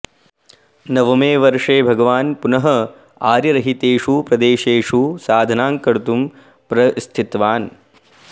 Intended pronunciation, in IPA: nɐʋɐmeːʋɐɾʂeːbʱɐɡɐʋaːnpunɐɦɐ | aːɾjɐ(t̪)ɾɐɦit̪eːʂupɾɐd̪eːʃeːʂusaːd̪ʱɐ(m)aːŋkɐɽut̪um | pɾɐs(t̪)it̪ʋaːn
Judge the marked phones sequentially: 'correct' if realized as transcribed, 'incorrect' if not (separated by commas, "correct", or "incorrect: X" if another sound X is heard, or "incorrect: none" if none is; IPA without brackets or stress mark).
incorrect: none, incorrect: n, incorrect: t̪ʰ